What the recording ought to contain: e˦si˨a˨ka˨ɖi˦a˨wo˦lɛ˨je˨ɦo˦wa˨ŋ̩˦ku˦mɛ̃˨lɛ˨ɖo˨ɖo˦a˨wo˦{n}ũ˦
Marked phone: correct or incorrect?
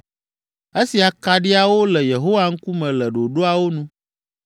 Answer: correct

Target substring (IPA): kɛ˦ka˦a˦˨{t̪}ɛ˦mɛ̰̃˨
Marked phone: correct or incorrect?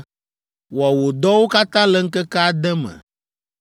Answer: incorrect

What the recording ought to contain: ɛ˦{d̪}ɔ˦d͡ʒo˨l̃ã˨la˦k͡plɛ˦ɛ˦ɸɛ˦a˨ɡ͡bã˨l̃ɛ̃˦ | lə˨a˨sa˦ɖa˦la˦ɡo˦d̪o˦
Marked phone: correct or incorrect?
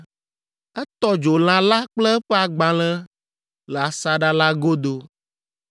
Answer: incorrect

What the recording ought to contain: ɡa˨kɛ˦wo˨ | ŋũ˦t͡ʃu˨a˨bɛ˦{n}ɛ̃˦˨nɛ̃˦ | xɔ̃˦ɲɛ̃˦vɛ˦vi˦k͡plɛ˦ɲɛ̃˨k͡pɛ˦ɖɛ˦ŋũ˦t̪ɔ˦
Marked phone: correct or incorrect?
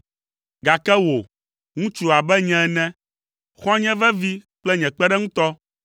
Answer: incorrect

